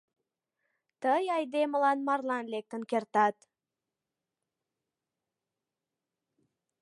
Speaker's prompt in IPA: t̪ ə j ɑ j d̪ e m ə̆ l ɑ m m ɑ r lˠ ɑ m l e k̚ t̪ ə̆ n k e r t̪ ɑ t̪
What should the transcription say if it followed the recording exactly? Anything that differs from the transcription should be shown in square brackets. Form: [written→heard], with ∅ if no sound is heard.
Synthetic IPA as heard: t̪ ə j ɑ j d̪ e m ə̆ l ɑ [m→n] m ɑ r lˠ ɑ [m→n] l e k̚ t̪ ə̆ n k e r t̪ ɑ t̪

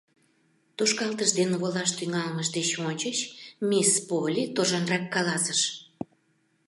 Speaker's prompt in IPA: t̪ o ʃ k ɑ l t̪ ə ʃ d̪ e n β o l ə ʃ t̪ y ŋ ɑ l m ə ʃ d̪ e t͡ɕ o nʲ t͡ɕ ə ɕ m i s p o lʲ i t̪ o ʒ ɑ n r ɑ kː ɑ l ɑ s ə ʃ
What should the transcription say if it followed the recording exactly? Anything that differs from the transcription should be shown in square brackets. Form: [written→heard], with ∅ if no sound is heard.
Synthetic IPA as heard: t̪ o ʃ k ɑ l t̪ ə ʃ d̪ e n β o l [ə→ɑ] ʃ t̪ y ŋ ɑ l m ə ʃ d̪ e t͡ɕ o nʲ t͡ɕ ə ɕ m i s p o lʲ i t̪ o ʒ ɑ n r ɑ kː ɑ l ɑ s ə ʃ

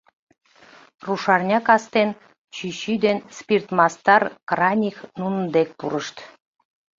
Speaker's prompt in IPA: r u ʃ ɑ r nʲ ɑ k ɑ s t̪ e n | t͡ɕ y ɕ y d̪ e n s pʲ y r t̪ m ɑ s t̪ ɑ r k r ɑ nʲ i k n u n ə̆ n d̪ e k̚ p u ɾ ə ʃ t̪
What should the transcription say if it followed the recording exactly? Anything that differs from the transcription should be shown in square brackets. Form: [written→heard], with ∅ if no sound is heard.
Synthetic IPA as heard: r u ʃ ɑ r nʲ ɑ k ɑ s t̪ e n | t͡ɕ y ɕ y d̪ e n s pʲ [y→i] r t̪ m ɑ s t̪ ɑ r k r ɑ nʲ i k n u n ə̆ n d̪ e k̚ p u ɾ ə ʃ t̪

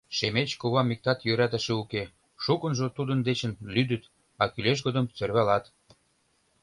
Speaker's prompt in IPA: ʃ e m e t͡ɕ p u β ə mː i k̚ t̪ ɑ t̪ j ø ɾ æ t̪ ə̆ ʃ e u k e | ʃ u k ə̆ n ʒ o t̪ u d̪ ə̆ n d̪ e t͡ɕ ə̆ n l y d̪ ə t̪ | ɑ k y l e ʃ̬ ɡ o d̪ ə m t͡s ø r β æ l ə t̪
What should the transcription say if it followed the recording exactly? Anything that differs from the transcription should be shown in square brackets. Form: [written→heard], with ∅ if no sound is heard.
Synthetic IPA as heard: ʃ e m e t͡ɕ [p→k] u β [ə→ɑ] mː i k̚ t̪ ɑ t̪ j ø ɾ æ t̪ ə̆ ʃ e u k e | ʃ u k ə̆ n ʒ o t̪ u d̪ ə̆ n d̪ e t͡ɕ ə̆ n l y d̪ ə t̪ | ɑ k y l e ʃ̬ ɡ o d̪ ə m t͡s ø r β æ l [ə→ɑ] t̪

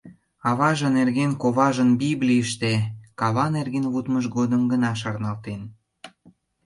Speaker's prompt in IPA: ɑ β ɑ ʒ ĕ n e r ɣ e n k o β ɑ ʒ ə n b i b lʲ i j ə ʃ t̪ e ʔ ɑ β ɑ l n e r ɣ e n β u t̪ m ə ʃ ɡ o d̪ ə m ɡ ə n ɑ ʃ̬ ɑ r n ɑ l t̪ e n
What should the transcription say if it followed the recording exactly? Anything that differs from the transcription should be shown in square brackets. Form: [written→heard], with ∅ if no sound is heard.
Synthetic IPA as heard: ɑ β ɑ ʒ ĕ n e r ɣ e n k o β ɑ ʒ ə n b i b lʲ i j ə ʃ t̪ e [ʔ→k] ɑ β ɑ [l→∅] n e r ɣ e n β u t̪ m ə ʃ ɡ o d̪ ə m ɡ ə n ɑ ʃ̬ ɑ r n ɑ l t̪ e n

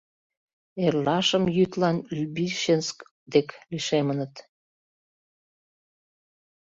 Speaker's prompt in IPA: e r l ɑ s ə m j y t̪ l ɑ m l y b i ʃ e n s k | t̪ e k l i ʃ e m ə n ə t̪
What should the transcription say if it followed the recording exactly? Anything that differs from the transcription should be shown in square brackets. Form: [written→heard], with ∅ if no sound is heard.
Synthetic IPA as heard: e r l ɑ [s→ʃ] ə m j y t̪ l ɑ [m→n] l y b i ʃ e n s k | [t̪→d̪] e k l i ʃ e m ə n ə t̪

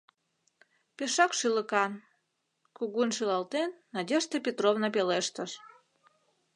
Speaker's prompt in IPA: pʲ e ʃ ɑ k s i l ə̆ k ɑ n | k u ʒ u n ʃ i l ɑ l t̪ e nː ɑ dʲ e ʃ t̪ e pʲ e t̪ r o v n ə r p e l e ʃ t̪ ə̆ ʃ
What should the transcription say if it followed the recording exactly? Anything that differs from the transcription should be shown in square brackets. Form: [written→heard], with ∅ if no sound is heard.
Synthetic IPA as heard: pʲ e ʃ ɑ k [s→ʃ] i l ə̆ k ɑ n | k u [ʒ→ɣ] u n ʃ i l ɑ l t̪ e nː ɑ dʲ e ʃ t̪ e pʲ e t̪ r o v n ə [r→∅] p e l e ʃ t̪ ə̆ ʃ

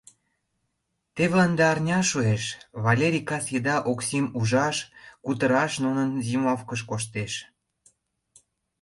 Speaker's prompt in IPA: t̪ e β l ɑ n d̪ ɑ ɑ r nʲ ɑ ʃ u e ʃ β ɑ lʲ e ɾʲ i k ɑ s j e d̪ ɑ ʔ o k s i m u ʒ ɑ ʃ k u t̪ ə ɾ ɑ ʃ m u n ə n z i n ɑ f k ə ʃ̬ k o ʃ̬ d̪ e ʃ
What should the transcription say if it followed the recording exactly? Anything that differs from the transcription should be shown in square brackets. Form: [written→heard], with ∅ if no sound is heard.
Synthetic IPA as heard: t̪ e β l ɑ n d̪ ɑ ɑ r nʲ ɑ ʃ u e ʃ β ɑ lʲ e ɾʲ i k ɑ s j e d̪ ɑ ʔ o k s i m u ʒ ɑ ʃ k u t̪ ə ɾ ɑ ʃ [m→n] u n ə n z i [n→m] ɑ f k ə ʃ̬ k o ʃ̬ [d̪→t̪] e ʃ

